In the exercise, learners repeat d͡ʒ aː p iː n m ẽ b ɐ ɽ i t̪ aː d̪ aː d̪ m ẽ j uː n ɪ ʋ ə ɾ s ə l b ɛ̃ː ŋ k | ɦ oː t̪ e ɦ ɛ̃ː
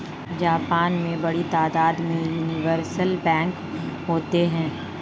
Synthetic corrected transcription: d͡ʒ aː p aː n m ẽ b ɐ ɽ i t̪ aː d̪ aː d̪ m ẽ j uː n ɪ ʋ ə ɾ s ə l b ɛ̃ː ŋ k | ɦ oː t̪ e ɦ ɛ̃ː